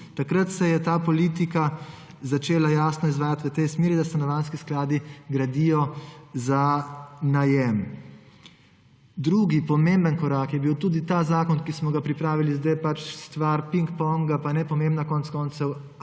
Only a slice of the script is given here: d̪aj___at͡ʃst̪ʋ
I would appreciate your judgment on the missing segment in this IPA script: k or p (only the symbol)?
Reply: p